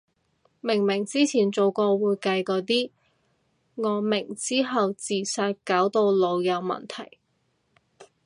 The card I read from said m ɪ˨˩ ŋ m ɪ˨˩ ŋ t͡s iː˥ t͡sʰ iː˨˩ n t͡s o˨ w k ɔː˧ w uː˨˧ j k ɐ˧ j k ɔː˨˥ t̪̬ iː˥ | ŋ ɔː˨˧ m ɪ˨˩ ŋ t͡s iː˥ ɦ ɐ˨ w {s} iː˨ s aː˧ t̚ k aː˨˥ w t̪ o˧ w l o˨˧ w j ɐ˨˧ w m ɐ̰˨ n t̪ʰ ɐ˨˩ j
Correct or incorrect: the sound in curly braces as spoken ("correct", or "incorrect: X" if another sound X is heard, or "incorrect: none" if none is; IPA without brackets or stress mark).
incorrect: t͡s